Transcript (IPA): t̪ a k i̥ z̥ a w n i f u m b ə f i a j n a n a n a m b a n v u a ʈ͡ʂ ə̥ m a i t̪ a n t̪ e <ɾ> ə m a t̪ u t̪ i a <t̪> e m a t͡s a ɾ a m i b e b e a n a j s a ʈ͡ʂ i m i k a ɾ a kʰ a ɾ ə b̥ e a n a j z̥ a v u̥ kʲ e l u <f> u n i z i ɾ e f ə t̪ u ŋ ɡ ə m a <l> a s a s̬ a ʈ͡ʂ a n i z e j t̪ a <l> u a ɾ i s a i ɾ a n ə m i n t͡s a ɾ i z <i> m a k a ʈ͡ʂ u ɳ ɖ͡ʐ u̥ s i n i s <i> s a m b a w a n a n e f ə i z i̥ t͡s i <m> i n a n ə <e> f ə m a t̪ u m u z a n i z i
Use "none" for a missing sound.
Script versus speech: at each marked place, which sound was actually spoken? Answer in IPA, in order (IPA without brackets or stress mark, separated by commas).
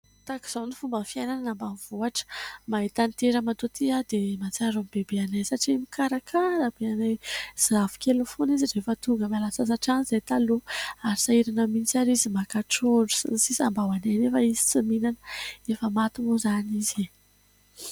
ɾ, d̪, f, l, l, i, i, m, e